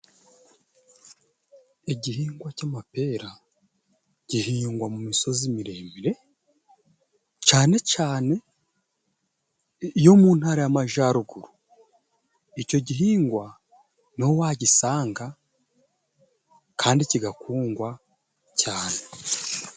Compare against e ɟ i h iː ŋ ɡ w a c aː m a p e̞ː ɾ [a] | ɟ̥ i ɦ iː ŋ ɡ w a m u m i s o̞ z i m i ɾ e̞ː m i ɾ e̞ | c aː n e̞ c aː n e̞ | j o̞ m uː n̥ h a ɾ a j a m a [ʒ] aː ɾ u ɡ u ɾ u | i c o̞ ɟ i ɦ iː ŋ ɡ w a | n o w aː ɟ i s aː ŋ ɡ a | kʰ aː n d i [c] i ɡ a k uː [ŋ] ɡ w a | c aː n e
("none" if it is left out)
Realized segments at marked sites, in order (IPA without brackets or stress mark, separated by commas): a, ʒ, c, ŋ